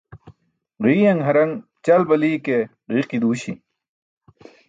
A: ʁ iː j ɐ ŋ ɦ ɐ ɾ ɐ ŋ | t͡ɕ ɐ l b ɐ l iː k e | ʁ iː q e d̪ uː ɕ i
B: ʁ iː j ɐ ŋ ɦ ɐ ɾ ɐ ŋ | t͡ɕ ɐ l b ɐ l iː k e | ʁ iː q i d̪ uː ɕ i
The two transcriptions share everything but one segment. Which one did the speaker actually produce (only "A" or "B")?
B